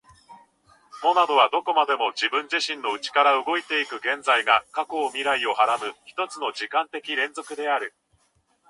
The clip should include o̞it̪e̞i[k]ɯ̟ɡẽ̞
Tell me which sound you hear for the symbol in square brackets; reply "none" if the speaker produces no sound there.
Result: k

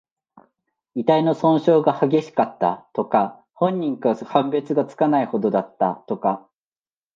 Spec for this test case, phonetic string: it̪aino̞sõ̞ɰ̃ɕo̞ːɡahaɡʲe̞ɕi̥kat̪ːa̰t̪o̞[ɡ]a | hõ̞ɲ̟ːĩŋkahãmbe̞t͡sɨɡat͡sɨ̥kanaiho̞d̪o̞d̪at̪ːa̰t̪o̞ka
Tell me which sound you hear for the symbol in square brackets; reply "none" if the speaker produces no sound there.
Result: k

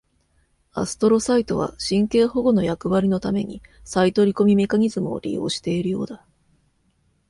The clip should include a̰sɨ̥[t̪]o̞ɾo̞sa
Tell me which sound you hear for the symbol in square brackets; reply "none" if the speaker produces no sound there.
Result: t̪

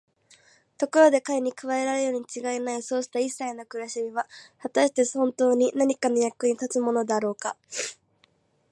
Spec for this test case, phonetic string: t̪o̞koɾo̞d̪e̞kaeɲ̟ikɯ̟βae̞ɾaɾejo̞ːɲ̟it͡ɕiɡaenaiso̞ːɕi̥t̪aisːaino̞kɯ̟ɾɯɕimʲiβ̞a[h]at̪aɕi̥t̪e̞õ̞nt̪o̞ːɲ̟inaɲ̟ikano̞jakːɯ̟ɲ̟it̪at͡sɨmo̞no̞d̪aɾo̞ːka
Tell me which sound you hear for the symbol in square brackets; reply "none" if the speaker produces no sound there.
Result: h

